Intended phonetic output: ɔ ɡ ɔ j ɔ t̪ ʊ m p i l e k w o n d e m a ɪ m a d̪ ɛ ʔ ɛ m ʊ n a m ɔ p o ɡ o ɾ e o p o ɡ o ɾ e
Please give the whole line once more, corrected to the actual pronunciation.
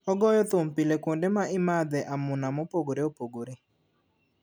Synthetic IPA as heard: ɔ ɡ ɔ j ɔ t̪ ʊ m p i l e k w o n d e m a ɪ m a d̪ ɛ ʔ a m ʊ n a m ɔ p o ɡ o ɾ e o p o ɡ o ɾ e